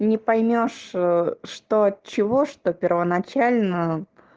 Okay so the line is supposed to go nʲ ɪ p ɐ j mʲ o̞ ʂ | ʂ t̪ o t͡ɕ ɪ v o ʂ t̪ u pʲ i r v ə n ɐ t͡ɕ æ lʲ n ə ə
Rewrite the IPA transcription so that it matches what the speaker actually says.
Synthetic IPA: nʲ ɪ p ɐ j mʲ o̞ ʂ | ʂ t̪ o t͡ɕ ɪ v o ʂ t̪ o pʲ ɪ r v ə n ɐ t͡ɕ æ lʲ n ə ə

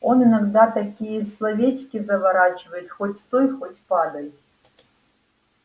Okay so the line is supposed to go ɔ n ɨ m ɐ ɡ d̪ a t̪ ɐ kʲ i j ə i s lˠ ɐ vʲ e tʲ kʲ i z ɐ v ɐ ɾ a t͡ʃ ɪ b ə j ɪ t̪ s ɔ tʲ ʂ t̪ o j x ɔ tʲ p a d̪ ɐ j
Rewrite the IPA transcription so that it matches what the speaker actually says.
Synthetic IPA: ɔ n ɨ n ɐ ɡ d̪ a t̪ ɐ kʲ i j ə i s lˠ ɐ vʲ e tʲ kʲ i z ɐ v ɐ ɾ a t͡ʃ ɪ v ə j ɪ t̪ x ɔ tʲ s t̪ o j x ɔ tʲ p a d̪ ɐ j

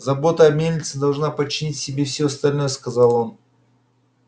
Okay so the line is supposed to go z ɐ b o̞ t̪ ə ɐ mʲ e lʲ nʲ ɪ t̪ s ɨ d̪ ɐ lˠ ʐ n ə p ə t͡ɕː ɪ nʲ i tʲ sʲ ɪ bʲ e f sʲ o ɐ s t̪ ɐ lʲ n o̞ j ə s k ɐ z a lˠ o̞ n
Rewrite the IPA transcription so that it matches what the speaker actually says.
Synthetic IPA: z ɐ b o̞ t̪ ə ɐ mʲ e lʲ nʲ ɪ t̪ s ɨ d̪ ɐ lˠ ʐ n a p ə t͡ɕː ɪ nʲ i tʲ sʲ ɪ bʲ e f sʲ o ɐ s t̪ ɐ lʲ n o̞ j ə s k ɐ z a lˠ o̞ n

